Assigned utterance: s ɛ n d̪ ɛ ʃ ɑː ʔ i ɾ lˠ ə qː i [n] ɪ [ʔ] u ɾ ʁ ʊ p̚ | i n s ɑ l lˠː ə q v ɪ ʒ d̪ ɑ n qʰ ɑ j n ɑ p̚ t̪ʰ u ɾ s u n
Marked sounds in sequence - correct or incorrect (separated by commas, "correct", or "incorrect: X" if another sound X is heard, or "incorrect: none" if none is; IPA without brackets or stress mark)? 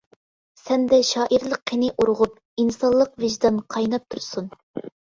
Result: correct, correct